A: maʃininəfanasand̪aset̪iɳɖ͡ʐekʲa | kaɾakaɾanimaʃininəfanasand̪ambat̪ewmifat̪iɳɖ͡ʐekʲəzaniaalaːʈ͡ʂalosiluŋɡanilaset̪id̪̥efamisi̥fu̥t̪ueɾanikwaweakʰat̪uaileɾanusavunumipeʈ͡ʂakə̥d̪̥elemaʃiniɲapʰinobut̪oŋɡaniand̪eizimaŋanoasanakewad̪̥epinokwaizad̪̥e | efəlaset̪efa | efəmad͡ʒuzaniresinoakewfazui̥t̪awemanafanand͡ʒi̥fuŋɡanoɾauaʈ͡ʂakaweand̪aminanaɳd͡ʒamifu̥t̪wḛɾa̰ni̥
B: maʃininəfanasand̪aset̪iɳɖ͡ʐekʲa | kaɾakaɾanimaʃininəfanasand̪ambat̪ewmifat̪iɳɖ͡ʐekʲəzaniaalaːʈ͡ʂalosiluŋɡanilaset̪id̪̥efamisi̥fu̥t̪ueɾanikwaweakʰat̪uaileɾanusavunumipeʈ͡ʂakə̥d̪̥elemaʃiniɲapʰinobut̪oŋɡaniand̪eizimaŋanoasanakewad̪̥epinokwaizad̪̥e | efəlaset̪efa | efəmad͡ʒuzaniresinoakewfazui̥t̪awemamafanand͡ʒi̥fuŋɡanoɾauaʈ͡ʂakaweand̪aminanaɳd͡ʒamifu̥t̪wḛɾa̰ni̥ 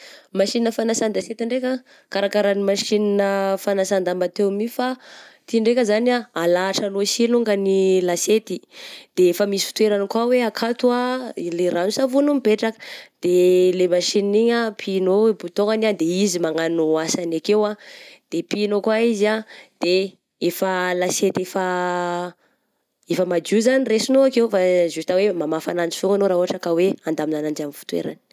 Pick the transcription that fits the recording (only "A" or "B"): B